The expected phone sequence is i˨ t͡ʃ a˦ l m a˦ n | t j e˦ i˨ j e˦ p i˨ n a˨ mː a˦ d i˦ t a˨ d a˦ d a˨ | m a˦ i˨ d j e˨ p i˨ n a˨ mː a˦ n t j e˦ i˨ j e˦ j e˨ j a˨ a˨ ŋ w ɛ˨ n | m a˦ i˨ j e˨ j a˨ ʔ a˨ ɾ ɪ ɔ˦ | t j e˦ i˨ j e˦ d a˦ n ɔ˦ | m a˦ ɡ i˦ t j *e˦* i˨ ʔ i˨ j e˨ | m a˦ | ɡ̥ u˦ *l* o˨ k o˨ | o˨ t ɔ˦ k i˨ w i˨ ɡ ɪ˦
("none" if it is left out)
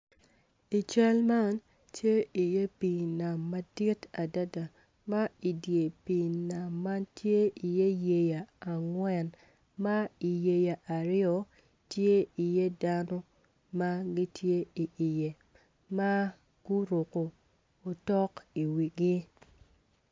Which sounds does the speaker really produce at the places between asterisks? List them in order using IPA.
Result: e˦, ɾ

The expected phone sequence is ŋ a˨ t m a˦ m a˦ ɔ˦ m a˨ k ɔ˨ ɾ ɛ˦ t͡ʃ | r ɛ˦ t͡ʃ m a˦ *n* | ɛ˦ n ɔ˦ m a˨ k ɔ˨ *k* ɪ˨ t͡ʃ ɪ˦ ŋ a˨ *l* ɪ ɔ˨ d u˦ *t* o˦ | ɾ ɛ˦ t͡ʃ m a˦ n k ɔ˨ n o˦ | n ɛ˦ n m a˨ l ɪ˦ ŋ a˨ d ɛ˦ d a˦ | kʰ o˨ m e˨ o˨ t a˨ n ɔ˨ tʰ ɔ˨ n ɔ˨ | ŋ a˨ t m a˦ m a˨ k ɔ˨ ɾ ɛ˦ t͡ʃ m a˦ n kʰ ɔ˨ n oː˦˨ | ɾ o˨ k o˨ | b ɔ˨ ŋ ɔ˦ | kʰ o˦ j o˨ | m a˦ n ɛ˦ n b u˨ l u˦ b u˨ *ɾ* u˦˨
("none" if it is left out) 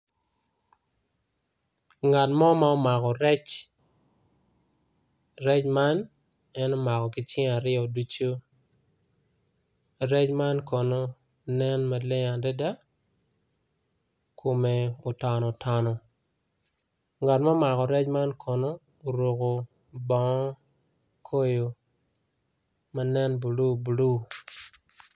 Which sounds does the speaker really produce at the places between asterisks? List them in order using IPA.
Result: n, k, ɾ, t͡ʃ, l

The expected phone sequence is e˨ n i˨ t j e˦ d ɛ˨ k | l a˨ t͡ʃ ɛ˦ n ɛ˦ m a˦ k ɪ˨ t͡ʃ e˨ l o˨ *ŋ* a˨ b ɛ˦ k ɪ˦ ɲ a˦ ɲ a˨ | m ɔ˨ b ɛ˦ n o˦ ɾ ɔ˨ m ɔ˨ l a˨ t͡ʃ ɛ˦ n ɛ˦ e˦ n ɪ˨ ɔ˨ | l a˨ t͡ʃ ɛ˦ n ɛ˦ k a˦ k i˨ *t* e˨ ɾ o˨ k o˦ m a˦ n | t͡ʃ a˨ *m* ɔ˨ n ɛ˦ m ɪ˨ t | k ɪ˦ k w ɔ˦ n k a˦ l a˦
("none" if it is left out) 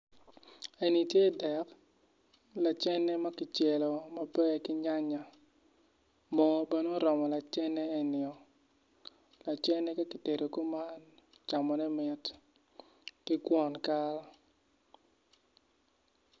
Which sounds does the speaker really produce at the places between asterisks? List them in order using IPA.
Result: m, t, m

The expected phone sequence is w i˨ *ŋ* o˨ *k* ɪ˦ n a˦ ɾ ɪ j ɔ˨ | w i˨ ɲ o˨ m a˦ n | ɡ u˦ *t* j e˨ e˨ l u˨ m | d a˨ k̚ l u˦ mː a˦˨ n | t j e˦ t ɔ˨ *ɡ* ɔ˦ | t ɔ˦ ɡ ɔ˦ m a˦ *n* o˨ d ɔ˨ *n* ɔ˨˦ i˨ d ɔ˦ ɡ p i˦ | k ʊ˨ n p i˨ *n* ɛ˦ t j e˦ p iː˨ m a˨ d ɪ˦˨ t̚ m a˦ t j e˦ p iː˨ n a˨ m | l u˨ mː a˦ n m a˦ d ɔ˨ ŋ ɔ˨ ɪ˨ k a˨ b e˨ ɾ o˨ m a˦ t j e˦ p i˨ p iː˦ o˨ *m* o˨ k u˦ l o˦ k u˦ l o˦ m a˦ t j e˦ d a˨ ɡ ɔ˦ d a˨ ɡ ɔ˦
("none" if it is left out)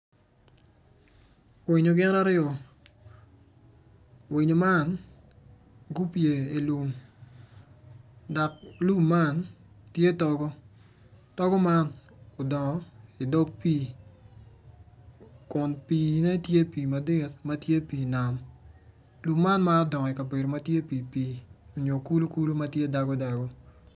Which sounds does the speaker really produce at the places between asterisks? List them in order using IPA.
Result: ɲ, ɡ, p, ɡ, n, ŋ, n, ɲ

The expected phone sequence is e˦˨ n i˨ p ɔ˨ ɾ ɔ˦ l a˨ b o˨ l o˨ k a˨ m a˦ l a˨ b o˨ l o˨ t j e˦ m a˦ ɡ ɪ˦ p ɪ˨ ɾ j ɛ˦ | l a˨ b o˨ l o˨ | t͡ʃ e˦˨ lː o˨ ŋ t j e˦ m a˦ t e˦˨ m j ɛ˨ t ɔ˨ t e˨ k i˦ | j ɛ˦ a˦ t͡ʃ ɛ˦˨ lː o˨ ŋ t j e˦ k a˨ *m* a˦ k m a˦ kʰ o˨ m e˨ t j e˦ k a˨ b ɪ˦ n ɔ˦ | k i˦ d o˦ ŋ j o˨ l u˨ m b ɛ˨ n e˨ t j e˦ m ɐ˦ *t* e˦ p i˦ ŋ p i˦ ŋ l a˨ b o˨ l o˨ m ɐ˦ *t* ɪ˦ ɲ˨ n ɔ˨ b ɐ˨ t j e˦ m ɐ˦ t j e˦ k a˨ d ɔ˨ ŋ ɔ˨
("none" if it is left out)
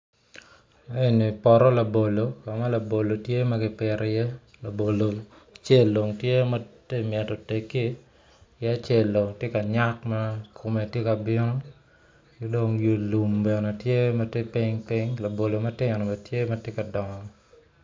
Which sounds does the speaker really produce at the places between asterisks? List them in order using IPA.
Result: ɲ, t, t

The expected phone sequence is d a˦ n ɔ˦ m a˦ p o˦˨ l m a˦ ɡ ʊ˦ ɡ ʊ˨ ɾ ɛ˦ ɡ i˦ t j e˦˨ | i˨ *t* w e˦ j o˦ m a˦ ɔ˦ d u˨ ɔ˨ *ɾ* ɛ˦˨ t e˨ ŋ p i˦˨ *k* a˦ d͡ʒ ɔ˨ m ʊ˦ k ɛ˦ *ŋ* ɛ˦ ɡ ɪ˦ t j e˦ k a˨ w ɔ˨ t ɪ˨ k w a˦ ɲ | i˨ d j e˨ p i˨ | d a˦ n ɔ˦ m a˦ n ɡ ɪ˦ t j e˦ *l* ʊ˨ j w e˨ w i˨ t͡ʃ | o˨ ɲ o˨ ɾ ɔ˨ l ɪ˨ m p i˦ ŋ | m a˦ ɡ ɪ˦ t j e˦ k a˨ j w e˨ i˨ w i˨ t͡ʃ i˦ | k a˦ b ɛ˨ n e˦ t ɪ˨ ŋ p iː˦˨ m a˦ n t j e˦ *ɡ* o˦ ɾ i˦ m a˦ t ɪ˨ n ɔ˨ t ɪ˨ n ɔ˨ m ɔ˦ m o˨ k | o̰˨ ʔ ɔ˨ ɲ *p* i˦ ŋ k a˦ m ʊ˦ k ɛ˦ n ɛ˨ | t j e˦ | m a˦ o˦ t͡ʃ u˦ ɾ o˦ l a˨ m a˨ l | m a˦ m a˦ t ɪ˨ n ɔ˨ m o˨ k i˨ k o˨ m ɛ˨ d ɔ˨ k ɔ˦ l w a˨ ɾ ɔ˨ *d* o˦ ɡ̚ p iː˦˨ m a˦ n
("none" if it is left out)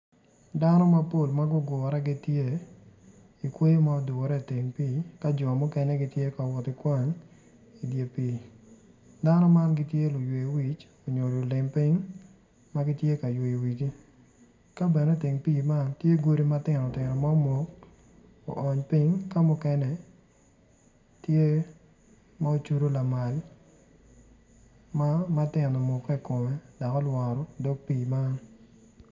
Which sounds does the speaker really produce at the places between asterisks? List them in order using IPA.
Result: k, ɾ, k, n, l, ɡ, p, d

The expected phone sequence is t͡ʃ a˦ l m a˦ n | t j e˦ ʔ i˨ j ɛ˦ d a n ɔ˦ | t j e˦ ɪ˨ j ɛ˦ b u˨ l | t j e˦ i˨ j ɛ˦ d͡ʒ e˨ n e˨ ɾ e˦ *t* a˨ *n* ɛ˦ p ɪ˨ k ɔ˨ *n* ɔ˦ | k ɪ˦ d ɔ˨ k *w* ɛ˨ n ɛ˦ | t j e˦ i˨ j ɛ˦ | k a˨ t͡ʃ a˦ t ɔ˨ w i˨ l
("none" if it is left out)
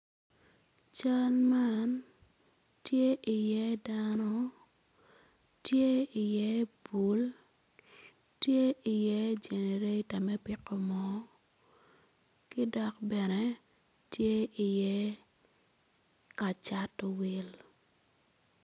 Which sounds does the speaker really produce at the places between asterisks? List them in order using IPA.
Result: t, m, m, b

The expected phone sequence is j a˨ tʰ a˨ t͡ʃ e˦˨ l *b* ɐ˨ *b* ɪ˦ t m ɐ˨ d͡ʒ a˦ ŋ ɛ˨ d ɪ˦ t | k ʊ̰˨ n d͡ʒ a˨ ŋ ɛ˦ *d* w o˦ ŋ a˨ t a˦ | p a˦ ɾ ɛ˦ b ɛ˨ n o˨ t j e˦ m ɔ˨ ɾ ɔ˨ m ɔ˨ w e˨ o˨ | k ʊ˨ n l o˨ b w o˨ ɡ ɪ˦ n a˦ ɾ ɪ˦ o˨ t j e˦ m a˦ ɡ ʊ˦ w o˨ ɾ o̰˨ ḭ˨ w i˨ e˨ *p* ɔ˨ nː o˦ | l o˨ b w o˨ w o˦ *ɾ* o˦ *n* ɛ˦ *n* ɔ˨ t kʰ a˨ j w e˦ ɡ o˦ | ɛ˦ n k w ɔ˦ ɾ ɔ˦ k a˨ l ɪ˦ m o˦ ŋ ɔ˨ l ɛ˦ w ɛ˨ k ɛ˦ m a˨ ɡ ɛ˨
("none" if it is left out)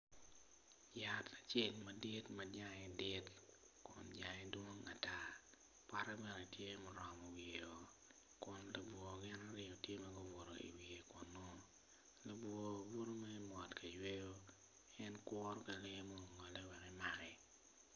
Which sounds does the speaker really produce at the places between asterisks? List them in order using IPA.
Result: m, d, d, k, ɾ, m, m

